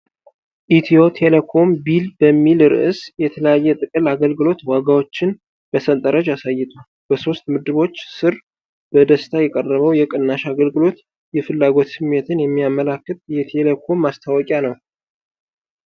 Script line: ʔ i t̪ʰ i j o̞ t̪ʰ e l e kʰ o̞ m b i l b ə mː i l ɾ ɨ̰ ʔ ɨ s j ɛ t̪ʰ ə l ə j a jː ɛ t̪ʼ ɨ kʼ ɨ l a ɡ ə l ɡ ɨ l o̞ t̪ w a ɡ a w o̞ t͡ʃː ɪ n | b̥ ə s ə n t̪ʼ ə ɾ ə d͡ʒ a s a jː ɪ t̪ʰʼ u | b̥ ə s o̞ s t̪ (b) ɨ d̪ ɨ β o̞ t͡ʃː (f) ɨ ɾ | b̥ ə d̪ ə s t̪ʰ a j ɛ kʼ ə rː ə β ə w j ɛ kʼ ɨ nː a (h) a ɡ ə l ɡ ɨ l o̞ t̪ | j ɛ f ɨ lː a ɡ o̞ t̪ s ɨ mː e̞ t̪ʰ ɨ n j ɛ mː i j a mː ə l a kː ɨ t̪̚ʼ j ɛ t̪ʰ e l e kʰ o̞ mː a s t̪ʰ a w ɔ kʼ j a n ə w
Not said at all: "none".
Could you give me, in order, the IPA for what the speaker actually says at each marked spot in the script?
m, s, ʃ

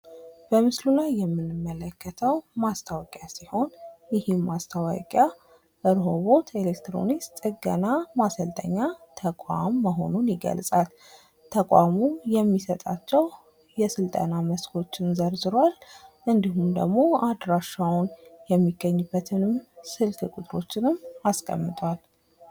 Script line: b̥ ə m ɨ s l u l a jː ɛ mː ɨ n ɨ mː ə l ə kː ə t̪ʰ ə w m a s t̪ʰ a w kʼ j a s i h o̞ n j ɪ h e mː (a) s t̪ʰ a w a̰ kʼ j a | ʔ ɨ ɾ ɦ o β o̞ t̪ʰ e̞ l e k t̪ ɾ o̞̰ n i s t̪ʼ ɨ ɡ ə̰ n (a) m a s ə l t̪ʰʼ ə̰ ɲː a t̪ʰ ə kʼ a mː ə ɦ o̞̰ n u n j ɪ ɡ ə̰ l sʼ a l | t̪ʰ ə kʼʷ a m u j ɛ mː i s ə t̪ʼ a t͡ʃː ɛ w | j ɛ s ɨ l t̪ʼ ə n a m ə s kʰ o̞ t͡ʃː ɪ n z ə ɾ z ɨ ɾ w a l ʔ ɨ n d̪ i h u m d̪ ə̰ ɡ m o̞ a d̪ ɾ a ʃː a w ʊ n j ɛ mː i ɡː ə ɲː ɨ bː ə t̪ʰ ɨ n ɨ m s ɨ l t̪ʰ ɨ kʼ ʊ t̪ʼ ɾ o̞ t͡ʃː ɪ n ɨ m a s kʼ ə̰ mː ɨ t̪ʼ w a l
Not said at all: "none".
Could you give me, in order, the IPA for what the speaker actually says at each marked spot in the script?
a, a

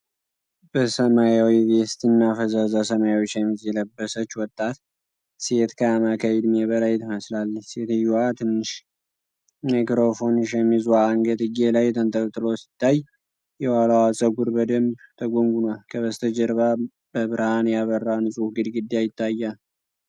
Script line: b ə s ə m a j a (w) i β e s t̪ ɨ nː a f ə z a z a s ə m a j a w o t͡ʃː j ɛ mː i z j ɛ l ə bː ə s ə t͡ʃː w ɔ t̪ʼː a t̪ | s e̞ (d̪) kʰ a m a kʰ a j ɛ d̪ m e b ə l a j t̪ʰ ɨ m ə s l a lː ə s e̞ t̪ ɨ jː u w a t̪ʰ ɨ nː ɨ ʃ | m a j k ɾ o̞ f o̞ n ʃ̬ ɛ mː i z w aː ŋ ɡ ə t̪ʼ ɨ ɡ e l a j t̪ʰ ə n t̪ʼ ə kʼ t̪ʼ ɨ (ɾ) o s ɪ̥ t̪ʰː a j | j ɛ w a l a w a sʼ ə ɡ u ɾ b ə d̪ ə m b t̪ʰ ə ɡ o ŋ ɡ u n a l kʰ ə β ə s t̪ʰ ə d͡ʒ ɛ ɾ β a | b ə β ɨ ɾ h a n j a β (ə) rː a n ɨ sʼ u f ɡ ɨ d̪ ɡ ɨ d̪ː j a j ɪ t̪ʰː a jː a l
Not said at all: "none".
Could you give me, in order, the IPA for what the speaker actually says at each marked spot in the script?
w, t̪, l, ə

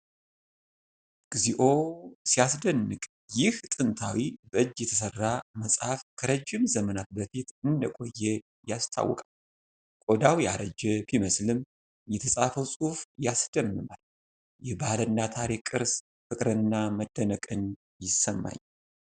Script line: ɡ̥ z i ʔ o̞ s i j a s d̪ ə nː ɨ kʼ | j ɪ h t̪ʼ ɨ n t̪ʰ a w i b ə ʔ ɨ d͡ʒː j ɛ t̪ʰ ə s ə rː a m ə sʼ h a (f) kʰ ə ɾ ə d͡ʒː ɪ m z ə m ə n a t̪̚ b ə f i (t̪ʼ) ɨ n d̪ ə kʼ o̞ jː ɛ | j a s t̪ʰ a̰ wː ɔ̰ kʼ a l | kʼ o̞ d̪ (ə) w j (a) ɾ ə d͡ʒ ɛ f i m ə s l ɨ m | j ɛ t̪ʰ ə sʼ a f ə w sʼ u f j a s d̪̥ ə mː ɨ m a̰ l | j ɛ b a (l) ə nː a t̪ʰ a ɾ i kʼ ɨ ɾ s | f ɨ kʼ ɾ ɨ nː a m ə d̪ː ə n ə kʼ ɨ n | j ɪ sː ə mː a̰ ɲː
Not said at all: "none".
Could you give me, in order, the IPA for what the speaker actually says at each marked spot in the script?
f, t̪, a, a, l

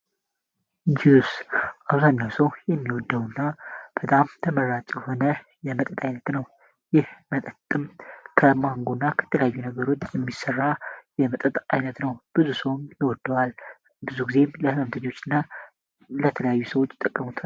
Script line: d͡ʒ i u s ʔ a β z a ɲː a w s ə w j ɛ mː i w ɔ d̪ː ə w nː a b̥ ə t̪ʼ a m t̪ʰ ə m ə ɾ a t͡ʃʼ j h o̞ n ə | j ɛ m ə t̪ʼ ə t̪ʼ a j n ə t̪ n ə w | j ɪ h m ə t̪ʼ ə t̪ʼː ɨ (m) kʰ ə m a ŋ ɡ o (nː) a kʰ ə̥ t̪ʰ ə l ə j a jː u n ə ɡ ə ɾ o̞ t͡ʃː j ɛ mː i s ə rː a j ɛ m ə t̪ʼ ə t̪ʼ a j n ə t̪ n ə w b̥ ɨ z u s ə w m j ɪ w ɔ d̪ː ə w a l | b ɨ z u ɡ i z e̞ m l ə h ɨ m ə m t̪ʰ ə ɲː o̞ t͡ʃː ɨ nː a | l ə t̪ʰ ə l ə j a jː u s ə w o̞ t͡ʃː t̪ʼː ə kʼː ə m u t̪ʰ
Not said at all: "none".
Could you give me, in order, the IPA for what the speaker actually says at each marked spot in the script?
m, nː

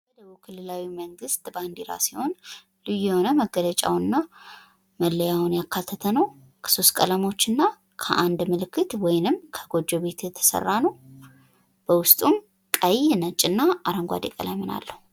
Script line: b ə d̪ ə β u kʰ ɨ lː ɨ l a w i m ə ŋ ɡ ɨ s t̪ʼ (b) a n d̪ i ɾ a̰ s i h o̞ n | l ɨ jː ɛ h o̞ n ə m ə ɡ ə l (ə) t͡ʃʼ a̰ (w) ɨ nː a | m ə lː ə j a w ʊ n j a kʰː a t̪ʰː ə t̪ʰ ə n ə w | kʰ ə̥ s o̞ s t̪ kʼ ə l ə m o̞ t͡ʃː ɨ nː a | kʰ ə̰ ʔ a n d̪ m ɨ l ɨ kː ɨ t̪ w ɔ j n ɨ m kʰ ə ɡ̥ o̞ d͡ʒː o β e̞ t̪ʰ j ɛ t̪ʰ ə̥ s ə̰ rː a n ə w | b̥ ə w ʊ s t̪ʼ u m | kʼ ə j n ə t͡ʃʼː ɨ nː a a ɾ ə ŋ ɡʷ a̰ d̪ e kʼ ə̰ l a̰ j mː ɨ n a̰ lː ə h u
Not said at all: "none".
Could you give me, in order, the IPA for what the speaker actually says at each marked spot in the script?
b, ə, w

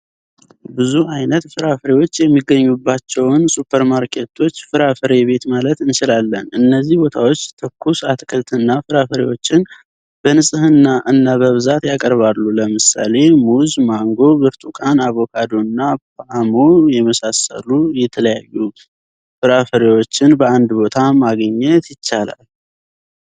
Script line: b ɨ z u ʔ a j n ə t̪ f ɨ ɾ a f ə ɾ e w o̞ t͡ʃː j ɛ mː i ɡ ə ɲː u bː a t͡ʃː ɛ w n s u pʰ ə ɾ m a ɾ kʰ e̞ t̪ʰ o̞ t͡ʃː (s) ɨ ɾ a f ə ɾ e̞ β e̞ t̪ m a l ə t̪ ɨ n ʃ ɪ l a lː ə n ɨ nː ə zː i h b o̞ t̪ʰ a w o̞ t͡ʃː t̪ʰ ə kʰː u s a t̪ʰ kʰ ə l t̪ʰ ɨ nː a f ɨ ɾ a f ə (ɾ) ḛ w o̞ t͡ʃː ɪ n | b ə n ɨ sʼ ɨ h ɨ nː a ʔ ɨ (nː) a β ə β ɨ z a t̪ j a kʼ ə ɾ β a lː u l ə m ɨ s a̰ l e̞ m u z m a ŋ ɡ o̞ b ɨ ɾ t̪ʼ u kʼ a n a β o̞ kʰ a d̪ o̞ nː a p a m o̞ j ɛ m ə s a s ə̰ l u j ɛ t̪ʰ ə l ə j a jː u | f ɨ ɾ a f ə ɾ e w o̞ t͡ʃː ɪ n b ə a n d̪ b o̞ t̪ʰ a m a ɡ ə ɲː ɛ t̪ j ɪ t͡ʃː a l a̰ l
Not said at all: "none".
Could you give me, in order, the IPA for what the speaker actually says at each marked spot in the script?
f, ɾ, nː

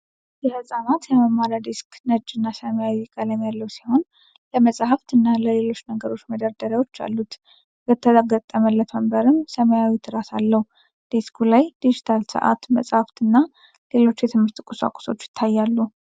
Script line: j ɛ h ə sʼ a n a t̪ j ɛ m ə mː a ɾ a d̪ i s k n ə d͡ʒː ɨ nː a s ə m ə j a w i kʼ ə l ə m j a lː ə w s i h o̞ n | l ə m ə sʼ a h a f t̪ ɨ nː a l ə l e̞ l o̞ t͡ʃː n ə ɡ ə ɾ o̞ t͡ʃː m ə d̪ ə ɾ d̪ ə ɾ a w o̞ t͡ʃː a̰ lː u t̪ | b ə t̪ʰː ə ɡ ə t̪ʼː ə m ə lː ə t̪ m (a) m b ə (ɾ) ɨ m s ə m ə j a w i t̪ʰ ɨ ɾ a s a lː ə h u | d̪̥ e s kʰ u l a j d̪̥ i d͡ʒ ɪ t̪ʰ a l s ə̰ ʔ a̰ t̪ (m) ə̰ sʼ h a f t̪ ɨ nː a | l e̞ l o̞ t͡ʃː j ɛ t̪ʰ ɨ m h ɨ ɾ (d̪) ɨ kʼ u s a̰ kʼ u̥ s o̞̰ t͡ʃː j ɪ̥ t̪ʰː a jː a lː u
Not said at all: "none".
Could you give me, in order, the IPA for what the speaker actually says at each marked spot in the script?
ə, ɾ, m, t̪

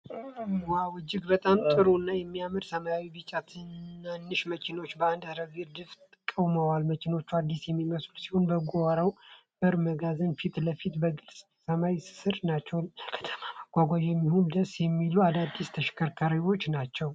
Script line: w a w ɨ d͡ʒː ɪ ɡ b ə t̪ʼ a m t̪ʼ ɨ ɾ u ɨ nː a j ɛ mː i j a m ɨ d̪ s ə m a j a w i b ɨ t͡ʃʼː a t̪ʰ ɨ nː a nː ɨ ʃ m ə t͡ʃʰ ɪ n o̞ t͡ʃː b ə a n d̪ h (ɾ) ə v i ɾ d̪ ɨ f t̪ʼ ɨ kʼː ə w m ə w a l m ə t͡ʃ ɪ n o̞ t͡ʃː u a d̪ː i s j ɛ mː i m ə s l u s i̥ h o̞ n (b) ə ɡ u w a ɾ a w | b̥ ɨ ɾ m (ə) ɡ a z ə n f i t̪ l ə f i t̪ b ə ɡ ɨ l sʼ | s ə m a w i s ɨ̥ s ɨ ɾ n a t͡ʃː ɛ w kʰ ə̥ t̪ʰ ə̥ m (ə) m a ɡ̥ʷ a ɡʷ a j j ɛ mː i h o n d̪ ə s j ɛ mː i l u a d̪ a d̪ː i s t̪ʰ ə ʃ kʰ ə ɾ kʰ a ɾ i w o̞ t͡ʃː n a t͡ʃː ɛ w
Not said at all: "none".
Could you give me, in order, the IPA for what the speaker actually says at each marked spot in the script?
ɾ, b, ə, a

